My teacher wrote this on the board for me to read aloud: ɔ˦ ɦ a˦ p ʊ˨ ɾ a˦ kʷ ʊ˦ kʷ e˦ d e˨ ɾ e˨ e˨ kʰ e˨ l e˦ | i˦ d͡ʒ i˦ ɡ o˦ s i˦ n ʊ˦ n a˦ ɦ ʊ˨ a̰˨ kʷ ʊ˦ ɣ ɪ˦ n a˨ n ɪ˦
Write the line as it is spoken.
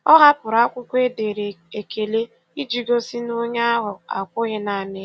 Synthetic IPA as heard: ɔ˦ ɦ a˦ p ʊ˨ ɾ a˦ kʷ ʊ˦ kʷ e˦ d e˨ ɾ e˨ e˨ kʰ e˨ l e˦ | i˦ d͡ʒ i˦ ɡ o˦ s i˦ n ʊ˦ ɲ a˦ ɦ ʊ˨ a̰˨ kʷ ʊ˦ ɣ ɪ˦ n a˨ n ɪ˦